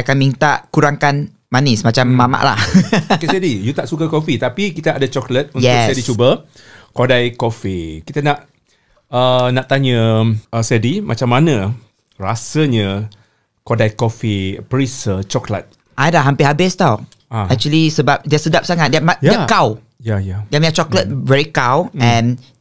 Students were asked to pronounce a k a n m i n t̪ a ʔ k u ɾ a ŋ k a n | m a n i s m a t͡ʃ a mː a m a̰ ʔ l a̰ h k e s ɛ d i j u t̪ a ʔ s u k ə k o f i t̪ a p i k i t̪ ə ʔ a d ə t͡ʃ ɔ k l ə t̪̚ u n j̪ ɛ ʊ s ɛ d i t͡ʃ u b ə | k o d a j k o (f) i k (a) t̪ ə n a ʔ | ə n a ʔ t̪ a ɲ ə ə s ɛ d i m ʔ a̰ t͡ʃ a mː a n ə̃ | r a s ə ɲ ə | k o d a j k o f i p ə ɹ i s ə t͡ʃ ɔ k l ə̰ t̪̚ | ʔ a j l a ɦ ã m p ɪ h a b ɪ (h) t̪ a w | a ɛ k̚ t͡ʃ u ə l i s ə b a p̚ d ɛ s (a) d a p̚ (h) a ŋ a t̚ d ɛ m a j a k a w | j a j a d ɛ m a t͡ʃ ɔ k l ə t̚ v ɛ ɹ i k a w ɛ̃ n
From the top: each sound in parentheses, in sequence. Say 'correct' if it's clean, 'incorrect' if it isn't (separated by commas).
correct, incorrect, incorrect, incorrect, incorrect